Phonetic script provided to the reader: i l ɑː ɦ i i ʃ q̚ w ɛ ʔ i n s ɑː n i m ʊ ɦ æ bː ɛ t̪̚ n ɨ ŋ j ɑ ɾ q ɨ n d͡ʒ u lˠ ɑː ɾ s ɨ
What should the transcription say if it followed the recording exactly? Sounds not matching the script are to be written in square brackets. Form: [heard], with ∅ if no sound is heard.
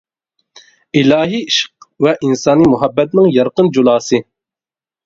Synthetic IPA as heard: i l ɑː ɦ i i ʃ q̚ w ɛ ʔ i n s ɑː n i m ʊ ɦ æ bː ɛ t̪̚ n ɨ ŋ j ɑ ɾ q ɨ n d͡ʒ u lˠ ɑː [∅] s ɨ